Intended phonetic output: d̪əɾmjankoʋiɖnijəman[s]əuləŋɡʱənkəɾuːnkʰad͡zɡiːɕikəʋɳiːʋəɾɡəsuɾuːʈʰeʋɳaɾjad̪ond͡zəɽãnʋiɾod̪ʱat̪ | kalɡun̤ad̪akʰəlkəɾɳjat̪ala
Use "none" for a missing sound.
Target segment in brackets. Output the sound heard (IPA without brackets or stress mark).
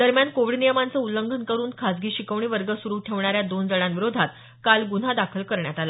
t͡s